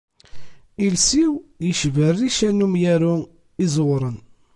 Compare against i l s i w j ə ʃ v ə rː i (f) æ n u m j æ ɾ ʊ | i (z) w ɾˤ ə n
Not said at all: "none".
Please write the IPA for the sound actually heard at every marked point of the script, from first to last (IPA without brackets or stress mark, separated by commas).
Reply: ʃ, z